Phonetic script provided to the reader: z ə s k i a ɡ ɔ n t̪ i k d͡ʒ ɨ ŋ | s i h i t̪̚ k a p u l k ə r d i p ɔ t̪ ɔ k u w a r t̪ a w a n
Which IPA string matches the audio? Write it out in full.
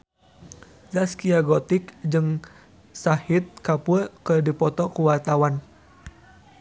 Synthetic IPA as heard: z a s k i a ɡ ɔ t̪ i k d͡ʒ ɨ ŋ | s a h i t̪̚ k a p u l k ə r d i p ɔ t̪ ɔ k u w a r t̪ a w a n